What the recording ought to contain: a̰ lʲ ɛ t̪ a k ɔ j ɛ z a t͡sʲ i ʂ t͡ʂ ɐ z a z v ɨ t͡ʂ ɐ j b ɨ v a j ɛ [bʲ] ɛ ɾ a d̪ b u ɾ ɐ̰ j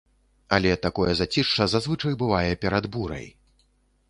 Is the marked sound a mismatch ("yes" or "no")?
yes